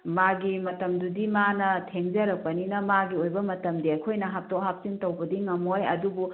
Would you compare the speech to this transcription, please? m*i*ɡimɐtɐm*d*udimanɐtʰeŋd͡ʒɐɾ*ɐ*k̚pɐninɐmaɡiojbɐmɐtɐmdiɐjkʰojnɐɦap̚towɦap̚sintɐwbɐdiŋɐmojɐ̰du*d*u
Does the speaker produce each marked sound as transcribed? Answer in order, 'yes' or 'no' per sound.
no, yes, yes, no

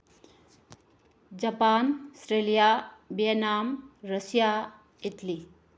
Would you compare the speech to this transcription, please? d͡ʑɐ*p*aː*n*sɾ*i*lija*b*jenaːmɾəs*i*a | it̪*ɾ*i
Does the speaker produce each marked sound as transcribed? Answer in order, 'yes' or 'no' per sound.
yes, yes, no, yes, no, no

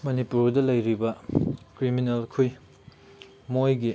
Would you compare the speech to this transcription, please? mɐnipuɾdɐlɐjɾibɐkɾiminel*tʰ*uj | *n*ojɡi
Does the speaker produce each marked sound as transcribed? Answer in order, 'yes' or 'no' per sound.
no, no

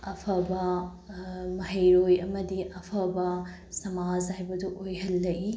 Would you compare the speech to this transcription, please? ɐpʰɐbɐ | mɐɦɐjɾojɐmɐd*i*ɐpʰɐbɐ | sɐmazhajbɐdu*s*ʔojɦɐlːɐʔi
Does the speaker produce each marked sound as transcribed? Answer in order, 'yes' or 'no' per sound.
yes, no

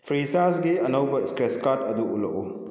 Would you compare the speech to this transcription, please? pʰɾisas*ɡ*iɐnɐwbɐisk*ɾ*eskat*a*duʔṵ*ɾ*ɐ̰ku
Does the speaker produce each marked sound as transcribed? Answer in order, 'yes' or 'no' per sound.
yes, yes, no, no

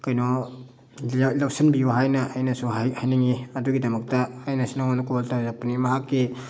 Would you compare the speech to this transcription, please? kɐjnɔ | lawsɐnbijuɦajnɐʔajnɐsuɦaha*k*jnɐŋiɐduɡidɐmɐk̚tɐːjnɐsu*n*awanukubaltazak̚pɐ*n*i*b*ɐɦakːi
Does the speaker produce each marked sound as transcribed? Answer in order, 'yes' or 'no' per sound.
no, yes, yes, no

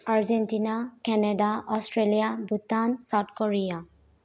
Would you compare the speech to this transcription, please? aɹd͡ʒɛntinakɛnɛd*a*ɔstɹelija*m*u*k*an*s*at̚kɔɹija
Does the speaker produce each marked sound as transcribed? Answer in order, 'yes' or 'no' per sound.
yes, no, no, yes

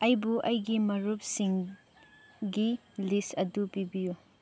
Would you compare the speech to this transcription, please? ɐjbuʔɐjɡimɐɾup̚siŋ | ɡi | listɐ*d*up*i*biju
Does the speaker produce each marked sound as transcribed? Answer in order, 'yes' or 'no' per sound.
yes, yes

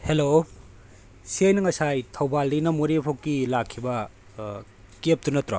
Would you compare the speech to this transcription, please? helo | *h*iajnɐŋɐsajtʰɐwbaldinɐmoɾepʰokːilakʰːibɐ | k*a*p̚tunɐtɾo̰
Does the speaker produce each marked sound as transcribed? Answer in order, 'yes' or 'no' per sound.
no, no

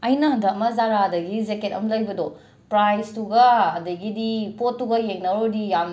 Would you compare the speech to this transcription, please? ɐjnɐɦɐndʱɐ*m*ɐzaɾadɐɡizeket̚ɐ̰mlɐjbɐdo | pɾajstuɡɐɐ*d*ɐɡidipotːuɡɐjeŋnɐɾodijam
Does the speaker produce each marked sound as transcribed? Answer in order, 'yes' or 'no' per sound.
yes, yes

